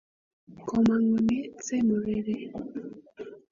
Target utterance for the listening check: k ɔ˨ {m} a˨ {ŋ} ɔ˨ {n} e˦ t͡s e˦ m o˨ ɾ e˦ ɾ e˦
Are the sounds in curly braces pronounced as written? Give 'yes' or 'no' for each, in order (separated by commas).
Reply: yes, yes, yes